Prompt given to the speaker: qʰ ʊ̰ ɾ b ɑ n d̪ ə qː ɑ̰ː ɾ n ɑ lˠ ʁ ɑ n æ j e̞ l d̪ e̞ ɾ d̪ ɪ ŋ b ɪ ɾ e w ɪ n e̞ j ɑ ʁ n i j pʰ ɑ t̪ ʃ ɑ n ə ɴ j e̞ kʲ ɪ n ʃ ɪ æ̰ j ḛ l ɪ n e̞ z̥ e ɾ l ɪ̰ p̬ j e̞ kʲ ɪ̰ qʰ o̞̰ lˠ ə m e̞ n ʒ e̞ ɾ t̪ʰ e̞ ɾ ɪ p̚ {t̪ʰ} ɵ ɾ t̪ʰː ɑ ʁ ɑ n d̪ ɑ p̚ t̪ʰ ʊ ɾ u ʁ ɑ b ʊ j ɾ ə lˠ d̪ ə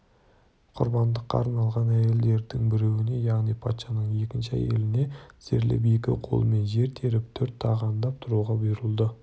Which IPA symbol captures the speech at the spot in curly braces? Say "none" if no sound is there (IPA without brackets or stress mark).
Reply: t̪ʰ